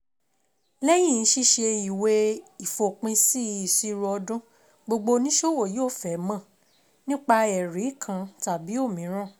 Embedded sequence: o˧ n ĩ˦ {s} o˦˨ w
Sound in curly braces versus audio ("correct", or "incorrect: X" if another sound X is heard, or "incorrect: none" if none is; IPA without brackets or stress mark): incorrect: ʃ